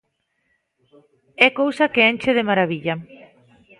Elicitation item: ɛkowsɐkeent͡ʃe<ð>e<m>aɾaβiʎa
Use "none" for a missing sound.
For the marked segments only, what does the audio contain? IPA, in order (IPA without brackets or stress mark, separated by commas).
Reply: ð, m